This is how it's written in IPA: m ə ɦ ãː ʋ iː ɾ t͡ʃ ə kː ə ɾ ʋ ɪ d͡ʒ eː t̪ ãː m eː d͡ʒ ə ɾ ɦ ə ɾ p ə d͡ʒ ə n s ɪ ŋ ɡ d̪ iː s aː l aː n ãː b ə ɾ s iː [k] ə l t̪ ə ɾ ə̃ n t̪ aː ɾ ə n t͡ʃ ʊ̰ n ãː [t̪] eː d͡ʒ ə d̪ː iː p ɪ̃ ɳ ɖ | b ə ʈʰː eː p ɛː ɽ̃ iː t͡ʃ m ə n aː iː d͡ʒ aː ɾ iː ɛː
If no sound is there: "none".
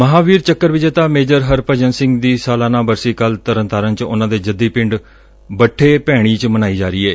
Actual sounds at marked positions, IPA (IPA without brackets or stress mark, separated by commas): k, d̪